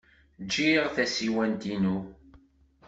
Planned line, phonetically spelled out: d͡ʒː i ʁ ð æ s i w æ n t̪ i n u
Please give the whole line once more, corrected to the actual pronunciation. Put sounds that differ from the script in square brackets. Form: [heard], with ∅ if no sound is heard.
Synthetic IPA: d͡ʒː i ʁ [θ] æ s i w æ n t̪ i n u